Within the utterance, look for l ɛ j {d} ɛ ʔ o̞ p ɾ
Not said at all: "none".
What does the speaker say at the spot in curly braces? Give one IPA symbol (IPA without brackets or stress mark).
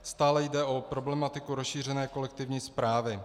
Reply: d